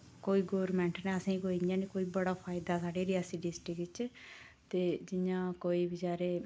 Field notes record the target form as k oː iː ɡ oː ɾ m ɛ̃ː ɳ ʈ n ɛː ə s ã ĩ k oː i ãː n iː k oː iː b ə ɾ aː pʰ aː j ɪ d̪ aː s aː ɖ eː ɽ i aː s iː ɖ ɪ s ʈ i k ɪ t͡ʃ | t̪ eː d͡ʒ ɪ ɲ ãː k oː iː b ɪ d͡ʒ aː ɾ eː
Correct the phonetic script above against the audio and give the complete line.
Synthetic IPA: k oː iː ɡ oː ɾ m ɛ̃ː ɳ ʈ n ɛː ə s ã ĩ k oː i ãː n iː k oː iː b ə ɽ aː pʰ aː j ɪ d̪ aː s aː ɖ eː ɾ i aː s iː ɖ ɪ s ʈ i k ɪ t͡ʃ | t̪ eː d͡ʒ ɪ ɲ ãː k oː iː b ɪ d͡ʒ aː ɾ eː